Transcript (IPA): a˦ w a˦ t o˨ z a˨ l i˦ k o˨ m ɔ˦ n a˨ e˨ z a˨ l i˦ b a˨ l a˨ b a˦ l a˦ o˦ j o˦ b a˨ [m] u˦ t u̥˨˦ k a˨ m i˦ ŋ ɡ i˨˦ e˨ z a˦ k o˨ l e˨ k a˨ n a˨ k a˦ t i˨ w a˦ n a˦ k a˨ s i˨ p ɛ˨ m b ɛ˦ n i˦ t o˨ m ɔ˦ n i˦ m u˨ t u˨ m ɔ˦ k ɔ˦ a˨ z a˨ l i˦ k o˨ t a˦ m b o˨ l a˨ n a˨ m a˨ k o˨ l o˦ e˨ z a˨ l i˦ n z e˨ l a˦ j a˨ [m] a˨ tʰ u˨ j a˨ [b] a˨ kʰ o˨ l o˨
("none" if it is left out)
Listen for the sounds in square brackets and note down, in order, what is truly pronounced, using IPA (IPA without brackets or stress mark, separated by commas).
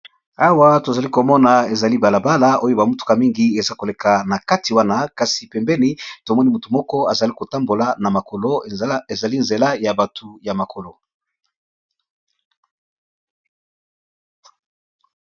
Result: m, b, m